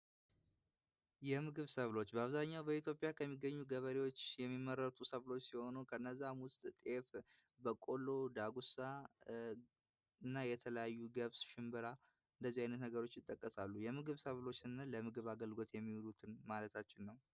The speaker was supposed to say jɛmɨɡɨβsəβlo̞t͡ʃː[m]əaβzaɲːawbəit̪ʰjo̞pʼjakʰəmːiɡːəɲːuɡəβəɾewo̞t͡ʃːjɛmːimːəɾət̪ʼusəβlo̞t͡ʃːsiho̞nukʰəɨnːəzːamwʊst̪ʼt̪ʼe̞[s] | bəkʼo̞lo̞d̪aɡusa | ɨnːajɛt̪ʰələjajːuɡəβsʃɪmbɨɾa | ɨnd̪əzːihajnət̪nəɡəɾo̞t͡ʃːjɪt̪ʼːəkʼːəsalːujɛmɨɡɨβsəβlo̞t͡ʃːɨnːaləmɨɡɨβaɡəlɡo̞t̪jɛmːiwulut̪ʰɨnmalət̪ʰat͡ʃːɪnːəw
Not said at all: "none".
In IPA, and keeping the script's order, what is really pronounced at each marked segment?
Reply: b, f

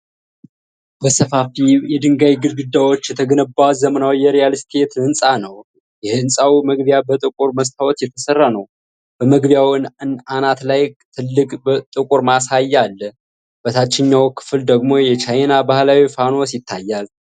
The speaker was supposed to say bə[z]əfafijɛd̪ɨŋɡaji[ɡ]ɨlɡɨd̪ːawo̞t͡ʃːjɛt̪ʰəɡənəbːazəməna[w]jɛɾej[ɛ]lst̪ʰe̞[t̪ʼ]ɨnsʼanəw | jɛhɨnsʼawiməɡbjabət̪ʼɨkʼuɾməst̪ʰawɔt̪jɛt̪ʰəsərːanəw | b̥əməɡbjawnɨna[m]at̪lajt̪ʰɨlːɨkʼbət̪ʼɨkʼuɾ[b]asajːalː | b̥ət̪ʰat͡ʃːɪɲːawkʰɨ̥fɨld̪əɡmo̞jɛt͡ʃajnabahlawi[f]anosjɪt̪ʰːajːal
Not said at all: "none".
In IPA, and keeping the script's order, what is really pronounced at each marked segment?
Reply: s, ɡ, w, a, t̪, n, m, f

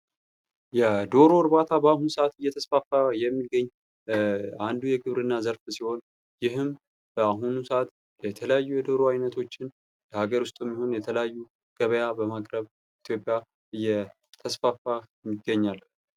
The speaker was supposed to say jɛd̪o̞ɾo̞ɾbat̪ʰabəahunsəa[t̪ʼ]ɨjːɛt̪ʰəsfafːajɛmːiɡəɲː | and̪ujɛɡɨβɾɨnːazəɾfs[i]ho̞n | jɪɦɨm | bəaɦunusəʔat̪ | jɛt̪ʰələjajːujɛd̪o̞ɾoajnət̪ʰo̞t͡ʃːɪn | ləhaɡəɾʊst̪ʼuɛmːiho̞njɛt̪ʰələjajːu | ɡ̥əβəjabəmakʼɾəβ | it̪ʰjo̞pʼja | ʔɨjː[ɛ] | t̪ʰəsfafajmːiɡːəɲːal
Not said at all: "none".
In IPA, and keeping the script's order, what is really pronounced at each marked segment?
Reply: t̪, i, ɛ

